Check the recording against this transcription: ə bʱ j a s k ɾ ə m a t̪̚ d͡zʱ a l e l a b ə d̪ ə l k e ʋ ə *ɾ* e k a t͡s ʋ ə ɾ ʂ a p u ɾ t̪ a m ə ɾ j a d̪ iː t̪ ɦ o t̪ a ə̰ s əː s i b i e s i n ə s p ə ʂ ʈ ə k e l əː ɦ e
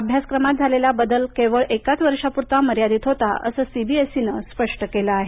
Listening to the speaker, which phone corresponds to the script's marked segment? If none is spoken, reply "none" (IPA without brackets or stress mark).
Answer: ɭ